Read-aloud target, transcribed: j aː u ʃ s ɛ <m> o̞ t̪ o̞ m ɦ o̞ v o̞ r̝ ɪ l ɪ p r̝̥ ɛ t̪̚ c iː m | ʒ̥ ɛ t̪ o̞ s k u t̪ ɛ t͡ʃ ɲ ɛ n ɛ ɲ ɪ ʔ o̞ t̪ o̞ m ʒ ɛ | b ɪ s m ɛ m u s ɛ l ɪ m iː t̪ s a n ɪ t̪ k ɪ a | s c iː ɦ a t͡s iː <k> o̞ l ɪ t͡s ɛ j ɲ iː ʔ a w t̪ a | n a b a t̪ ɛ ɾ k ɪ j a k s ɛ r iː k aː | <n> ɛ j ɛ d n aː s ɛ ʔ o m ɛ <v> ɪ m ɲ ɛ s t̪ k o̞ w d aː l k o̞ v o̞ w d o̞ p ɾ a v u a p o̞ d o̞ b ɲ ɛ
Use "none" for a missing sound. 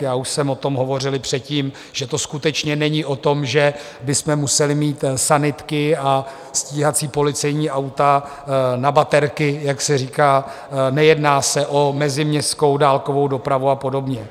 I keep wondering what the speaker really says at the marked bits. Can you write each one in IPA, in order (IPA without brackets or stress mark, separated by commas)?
m, p, n, z